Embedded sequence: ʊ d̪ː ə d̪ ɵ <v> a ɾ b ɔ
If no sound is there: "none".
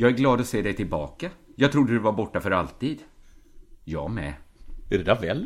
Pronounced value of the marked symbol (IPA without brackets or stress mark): v